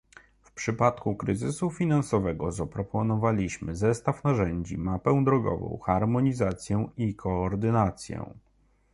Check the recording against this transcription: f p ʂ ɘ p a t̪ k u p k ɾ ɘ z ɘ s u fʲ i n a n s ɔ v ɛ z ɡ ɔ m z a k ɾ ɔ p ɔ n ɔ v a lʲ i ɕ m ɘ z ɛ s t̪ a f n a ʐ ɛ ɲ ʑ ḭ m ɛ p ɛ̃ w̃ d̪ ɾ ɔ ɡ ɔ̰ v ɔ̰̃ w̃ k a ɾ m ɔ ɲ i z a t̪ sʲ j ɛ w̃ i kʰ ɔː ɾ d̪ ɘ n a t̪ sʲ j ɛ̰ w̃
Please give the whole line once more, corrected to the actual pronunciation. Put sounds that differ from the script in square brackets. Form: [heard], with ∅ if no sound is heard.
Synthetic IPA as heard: f p ʂ ɘ p a t̪ k u [∅] k ɾ ɘ z ɘ s u fʲ i n a n s ɔ v ɛ [∅] ɡ ɔ [∅] z a [p] ɾ ɔ p ɔ n ɔ v a lʲ i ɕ m ɘ z ɛ s t̪ a f n a ʐ ɛ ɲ [d͡ʑ] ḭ m [a] p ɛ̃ w̃ d̪ ɾ ɔ ɡ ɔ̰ v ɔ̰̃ w̃ [x] a ɾ m ɔ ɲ i z a t̪ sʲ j ɛ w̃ i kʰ ɔː ɾ d̪ ɘ n a t̪ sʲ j ɛ̰ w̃